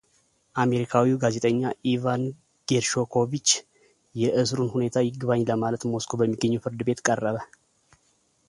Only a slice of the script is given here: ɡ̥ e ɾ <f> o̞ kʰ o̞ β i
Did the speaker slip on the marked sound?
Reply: yes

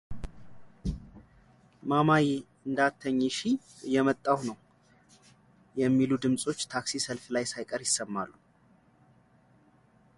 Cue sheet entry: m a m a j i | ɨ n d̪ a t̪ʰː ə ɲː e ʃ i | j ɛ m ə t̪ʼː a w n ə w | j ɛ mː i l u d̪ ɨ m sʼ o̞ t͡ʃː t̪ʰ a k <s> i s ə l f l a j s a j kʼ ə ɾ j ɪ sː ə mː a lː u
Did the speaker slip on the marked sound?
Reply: no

